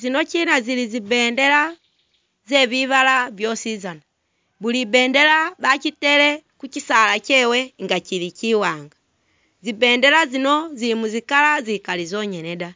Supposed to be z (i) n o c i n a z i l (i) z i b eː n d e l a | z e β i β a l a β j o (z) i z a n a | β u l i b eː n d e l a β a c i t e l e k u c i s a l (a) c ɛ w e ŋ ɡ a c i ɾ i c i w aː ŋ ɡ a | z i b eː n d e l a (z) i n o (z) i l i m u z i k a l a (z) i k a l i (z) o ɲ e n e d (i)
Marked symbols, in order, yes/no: yes, yes, no, yes, yes, yes, yes, yes, no

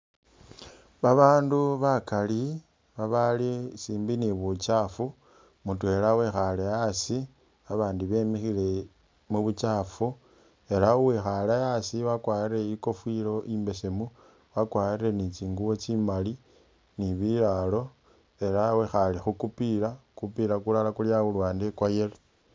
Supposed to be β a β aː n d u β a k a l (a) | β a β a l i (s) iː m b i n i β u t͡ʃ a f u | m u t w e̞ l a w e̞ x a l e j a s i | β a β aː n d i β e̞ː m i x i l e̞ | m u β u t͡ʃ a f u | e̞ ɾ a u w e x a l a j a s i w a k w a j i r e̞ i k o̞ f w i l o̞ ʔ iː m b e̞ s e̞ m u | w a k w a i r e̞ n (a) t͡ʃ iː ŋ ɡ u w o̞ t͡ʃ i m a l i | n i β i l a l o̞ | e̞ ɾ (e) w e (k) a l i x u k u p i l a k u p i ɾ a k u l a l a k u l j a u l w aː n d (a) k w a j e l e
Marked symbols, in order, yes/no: no, yes, no, no, no, no

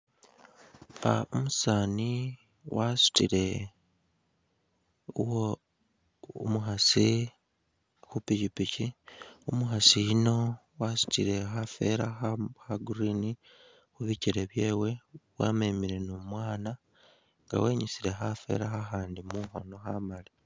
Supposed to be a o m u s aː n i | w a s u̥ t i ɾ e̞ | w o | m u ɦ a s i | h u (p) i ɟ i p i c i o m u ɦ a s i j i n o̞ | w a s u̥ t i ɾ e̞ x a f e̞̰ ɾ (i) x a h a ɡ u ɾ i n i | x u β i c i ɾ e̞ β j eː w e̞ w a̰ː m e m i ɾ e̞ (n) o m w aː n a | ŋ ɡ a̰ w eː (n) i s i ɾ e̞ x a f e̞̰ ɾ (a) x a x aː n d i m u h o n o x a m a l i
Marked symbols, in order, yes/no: yes, no, yes, no, yes

